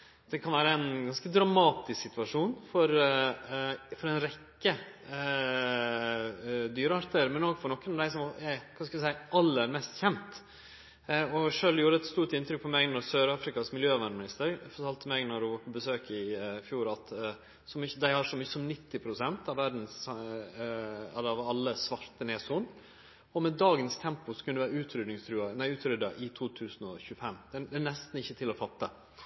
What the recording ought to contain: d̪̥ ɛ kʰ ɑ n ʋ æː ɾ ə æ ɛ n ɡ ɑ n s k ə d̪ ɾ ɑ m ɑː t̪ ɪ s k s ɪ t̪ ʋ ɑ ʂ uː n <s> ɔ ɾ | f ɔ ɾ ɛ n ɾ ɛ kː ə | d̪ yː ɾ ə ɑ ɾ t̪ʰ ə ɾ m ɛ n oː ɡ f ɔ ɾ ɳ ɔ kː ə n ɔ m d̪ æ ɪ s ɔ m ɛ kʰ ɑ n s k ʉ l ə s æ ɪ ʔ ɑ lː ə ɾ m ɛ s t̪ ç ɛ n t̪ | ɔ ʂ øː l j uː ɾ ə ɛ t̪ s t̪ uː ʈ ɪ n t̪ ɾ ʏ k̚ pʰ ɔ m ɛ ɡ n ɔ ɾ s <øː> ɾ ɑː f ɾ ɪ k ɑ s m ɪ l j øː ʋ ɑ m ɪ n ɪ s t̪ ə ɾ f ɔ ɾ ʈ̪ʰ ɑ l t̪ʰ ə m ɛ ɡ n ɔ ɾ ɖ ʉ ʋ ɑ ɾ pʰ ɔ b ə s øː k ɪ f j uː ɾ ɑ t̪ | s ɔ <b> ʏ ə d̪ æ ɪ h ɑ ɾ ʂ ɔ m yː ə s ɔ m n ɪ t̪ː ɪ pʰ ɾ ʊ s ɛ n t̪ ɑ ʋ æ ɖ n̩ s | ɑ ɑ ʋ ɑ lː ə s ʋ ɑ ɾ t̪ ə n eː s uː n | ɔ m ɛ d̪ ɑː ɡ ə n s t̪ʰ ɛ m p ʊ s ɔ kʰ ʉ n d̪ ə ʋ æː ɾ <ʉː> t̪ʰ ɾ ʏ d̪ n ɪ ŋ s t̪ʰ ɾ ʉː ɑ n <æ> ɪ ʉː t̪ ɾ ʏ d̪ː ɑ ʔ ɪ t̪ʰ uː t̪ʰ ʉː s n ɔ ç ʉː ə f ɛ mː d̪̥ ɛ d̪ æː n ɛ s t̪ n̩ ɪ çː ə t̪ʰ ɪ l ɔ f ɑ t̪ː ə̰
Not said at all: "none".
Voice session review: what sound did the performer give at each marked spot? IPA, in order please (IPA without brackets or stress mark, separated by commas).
f, øː, m, ʉː, æ